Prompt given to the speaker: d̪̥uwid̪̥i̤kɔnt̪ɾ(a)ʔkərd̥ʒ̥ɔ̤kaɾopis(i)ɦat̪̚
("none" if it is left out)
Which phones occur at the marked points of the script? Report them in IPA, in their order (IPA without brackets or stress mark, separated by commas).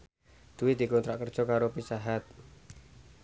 a, a